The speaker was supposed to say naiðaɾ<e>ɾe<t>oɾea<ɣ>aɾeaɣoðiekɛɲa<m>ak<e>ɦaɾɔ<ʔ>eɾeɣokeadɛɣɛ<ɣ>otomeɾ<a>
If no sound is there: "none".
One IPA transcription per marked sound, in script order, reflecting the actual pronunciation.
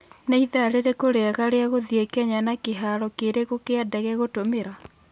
e, k, ɣ, n, e, k, ɣ, a

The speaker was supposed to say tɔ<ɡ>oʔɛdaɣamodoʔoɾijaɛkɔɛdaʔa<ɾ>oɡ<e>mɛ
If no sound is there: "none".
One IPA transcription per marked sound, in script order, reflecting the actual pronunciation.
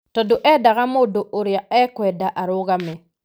d, ɾ, a

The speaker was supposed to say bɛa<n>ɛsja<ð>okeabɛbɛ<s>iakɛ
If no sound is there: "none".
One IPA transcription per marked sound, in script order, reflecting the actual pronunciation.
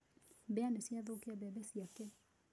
n, ð, s

